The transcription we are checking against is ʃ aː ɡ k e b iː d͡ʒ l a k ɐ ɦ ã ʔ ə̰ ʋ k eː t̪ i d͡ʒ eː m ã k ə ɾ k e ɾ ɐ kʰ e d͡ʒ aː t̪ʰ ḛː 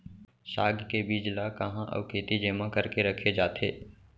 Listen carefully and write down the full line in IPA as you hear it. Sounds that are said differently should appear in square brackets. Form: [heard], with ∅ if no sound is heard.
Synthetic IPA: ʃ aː ɡ k e b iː d͡ʒ l a k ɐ ɦ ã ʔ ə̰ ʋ k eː t̪ i d͡ʒ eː m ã k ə ɾ k e ɾ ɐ kʰ e d͡ʒ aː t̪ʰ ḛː